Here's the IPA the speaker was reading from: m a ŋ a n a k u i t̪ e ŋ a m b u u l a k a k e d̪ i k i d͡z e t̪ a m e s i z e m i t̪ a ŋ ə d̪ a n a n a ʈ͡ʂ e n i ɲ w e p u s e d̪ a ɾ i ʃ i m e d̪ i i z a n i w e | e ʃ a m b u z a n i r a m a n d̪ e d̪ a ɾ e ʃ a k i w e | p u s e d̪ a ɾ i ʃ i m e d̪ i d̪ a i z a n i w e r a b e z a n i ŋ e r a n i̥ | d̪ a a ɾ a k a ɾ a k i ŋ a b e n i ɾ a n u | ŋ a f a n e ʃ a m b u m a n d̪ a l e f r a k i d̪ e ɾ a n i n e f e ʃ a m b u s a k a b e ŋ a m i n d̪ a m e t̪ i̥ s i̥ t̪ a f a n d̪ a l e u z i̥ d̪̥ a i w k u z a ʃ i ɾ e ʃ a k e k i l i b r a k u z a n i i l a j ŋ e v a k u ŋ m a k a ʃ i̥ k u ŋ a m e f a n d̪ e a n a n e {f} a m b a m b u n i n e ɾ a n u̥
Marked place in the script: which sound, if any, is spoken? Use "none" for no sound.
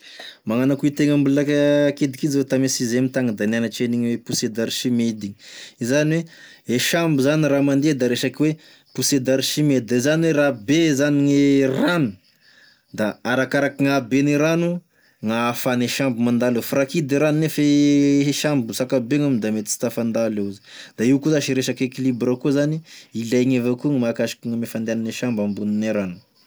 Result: ʃ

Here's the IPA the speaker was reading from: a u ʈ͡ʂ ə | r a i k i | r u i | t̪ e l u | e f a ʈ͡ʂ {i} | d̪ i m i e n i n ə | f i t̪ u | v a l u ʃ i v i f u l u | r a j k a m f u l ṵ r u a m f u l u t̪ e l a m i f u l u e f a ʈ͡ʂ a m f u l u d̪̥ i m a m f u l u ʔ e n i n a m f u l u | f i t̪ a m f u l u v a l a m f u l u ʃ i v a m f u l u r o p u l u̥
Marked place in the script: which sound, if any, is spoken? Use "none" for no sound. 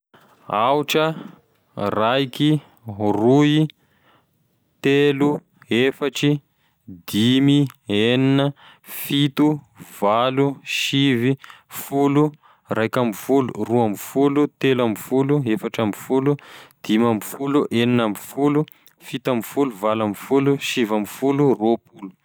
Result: i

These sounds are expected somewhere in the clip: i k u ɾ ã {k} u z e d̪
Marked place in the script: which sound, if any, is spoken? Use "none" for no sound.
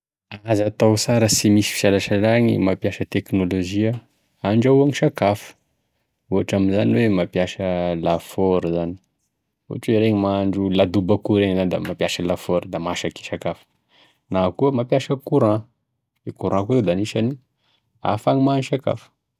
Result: k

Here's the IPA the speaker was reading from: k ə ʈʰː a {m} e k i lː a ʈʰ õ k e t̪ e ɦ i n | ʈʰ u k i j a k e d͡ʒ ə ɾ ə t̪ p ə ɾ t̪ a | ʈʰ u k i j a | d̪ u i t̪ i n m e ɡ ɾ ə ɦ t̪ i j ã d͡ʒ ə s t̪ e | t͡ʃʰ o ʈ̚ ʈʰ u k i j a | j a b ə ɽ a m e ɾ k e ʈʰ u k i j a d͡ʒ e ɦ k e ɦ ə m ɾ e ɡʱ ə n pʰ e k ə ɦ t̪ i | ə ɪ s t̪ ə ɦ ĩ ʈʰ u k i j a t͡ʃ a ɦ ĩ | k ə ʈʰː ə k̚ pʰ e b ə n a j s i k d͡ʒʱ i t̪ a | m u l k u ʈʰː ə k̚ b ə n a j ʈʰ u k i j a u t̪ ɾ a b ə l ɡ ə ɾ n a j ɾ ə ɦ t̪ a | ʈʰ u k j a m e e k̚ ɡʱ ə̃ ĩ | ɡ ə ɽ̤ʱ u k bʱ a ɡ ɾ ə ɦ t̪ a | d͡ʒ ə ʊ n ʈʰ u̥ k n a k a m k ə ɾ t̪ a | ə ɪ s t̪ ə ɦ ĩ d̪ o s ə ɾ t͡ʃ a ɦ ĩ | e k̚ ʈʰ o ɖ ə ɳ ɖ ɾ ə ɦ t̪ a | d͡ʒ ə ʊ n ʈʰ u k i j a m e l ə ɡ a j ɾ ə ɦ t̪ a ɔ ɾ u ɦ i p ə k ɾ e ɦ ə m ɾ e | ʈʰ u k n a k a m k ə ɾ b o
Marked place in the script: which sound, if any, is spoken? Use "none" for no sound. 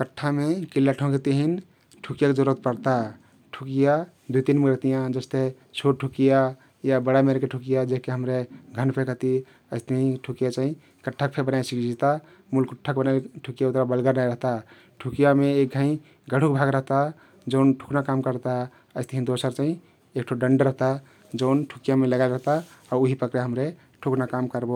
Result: m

